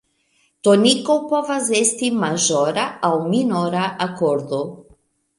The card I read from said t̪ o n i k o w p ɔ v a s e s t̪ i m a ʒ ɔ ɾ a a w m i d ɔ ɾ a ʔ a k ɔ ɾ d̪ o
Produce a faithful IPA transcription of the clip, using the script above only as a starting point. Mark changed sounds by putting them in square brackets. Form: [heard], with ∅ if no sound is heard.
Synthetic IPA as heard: t̪ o n i k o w p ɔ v a [z] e s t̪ i m a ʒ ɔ ɾ a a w m i [n] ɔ ɾ a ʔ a k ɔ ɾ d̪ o

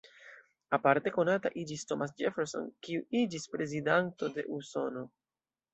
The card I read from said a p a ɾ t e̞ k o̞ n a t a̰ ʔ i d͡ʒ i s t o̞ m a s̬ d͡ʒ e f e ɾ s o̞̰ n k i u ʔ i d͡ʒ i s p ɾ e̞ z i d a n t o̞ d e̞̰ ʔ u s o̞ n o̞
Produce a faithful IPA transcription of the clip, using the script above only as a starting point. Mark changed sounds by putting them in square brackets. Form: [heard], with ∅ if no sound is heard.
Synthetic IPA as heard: a p a ɾ t e̞ k o̞ n a t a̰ ʔ i d͡ʒ i s t o̞ m a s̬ d͡ʒ e f e ɾ s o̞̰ n k i u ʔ i d͡ʒ i s p ɾ e̞ z i d a n t o̞ d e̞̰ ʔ u s o̞ n o̞

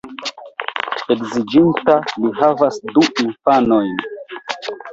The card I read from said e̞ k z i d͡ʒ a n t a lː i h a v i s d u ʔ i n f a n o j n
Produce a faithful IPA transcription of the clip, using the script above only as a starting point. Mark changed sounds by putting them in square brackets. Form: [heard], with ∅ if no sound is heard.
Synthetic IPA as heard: e̞ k z i d͡ʒ [i] n t a [l] i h a v [a] s d u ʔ i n f a n o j n

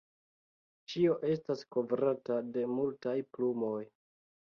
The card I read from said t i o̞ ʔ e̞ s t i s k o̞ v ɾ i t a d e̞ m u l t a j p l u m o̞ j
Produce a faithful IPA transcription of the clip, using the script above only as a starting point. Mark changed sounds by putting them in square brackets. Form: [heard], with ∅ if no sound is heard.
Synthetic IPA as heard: [t͡ʃ] i o̞ ʔ e̞ s t [a] s k o̞ v ɾ [a] t a d e̞ m u l t a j p l u m o̞ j

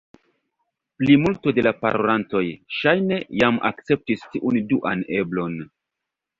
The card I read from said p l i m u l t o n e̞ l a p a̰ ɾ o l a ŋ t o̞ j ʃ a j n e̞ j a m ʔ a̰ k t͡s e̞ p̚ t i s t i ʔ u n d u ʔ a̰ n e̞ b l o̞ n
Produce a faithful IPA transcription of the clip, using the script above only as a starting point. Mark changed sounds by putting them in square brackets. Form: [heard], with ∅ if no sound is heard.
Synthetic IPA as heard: p l i m u l t o [d] e̞ l a p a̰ ɾ o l a [n] t o̞ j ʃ a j n e̞ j a m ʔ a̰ k t͡s e̞ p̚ t i s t i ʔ u n d u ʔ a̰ n e̞ b l o̞ n

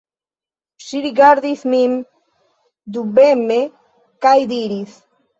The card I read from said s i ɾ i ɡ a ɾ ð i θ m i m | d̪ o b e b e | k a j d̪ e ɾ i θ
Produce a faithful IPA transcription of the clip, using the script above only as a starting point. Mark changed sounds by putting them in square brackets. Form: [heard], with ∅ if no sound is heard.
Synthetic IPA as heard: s i ɾ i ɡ a ɾ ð i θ m i m | d̪ [u] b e [m] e | k a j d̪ [i] ɾ i θ

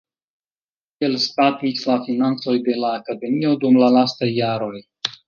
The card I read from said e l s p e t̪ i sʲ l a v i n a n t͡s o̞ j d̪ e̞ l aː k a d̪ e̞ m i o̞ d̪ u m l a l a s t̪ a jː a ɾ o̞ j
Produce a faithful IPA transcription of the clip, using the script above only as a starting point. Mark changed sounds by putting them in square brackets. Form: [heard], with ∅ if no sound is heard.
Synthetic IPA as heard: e l s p [a] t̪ i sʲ l a [f] i n a n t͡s o̞ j d̪ e̞ l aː k a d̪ e̞ m i o̞ d̪ u m l a l a s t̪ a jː a ɾ o̞ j

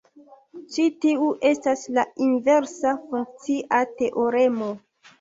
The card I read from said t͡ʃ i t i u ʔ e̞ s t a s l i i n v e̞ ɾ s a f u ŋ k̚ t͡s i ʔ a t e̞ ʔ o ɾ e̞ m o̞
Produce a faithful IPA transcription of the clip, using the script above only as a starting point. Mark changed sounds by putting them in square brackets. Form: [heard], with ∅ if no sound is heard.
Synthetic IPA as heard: t͡ʃ i t i u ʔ e̞ s t a s l [a] i n v e̞ ɾ s a f u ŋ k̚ t͡s i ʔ a t e̞ ʔ o ɾ e̞ m o̞

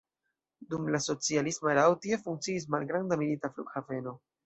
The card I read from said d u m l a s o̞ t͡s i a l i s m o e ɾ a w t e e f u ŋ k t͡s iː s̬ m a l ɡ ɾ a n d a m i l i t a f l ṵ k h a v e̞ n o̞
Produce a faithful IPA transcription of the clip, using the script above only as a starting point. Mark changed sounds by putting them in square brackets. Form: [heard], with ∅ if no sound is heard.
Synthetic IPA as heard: d u m l a s o̞ t͡s i a l i s m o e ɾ a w t [i] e f u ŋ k t͡s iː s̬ m a l ɡ ɾ a n d a m i l i t a f l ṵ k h a v e̞ n o̞

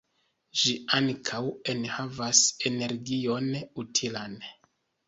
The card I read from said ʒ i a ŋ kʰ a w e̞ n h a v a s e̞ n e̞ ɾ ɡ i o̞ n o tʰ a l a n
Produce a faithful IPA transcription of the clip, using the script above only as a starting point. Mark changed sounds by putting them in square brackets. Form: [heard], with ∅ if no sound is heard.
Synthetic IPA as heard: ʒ i a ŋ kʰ a w e̞ n h a v a s e̞ n e̞ ɾ ɡ i o̞ n [u] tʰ [i] l a n

